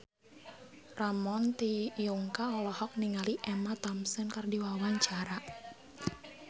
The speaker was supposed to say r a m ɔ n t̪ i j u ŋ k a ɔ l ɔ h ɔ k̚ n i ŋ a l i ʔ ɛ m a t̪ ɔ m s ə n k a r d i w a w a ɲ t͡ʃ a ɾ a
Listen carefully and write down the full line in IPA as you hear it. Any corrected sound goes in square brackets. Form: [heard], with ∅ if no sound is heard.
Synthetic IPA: r a m ɔ n t̪ i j u ŋ k a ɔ l ɔ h ɔ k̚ n i ŋ a l i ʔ ɛ m a t̪ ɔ m s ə n k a r d i w a w a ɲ t͡ʃ a ɾ a